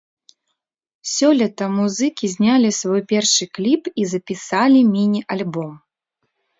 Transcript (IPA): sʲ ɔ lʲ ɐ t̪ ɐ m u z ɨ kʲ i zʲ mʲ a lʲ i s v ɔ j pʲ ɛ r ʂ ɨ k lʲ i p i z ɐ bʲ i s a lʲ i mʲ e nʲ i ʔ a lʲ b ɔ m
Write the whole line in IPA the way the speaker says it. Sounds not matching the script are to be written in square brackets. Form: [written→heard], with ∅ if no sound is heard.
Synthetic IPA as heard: sʲ ɔ lʲ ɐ t̪ ɐ m u z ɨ kʲ i zʲ [mʲ→nʲ] a lʲ i s v ɔ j pʲ ɛ r ʂ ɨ k lʲ i p i z ɐ [bʲ→pʲ] i s a lʲ i mʲ [e→i] nʲ i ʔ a lʲ b ɔ m